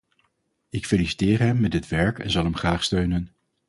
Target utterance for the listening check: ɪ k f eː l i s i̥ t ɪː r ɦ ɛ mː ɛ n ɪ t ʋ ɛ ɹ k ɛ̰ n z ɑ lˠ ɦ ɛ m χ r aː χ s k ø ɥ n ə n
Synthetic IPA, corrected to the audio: ɪ k f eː l i s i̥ t ɪː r ɦ ɛ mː ɛ d ɪ t ʋ ɛ ɹ k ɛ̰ n z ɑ lˠ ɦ ɛ m χ r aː χ s t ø ɥ n ə n